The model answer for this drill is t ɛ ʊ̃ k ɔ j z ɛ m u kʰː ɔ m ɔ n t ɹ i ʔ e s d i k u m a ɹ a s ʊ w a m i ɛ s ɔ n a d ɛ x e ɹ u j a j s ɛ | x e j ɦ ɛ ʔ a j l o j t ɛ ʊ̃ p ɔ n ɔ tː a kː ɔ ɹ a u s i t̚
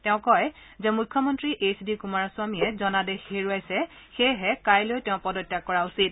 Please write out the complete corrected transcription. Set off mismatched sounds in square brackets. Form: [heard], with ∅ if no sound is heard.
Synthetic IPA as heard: t ɛ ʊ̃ k ɔ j z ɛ m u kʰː ɔ m ɔ n t ɹ i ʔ e s d i k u m a ɹ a s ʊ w a m i ɛ [z] ɔ n a d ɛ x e ɹ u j a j s ɛ | x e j ɦ ɛ [k] a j l o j t ɛ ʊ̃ p ɔ [d] ɔ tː a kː ɔ ɹ a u s i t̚